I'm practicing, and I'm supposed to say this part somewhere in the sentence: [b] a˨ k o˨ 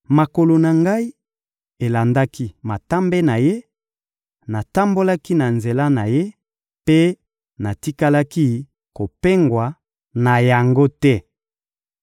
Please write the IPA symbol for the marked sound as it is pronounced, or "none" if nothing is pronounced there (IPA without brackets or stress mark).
m